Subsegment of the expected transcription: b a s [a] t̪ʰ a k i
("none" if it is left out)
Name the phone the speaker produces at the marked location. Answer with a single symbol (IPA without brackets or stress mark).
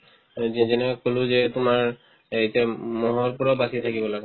i